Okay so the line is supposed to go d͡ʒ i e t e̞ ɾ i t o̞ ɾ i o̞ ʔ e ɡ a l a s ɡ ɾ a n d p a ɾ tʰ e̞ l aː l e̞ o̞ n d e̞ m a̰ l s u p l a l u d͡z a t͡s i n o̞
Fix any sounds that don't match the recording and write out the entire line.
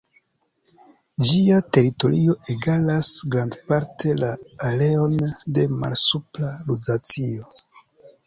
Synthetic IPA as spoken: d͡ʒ i a t e̞ ɾ i t o̞ ɾ i o̞ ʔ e ɡ a l a s ɡ ɾ a n d p a ɾ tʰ e̞ l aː l e̞ o̞ n d e̞ m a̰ l s u p l a l u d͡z a t͡s i o̞